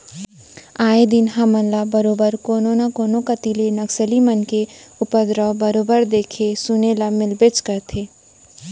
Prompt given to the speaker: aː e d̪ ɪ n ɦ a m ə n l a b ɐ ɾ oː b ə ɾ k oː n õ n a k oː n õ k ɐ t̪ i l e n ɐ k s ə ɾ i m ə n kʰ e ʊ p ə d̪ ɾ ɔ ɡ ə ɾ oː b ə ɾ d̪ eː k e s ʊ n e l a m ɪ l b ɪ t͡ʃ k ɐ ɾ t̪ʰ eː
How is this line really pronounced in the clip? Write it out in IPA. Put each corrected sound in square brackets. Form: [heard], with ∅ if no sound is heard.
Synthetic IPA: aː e d̪ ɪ n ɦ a m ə n l a b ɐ ɾ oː b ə ɾ k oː n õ n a k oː n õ k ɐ t̪ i l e n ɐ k s ə [l] i m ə n [k] e ʊ p ə d̪ ɾ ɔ [b] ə ɾ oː b ə ɾ d̪ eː [kʰ] e s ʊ n e l a m ɪ l b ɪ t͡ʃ k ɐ ɾ t̪ʰ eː